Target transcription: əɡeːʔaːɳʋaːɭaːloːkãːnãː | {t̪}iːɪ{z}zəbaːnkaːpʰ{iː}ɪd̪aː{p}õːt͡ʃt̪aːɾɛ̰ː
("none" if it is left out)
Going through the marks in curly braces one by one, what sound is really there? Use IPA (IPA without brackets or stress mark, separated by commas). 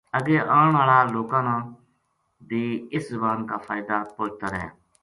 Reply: d̪, s, aː, p